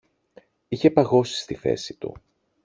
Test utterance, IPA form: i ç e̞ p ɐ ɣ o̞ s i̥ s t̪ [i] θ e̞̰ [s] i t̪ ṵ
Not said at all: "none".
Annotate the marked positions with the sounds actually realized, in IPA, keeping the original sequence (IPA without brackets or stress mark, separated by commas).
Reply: i, s